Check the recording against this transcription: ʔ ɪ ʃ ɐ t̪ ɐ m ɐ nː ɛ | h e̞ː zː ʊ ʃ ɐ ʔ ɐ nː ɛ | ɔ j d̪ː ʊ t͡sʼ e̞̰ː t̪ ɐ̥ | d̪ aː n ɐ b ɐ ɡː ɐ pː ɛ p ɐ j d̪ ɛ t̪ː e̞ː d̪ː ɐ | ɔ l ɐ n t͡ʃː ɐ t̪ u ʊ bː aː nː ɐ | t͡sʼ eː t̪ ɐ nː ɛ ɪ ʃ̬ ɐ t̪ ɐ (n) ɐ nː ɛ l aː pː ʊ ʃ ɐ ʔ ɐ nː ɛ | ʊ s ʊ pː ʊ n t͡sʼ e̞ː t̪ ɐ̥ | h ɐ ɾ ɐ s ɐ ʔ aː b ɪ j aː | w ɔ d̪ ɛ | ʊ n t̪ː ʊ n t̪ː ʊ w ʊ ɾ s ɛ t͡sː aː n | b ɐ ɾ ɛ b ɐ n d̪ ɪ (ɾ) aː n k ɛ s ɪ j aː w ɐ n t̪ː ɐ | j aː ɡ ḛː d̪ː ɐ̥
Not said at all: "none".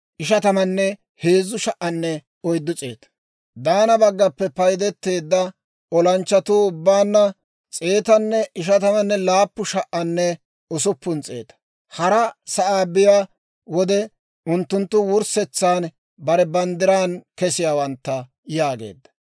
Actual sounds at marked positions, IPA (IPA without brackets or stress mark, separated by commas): m, ɾ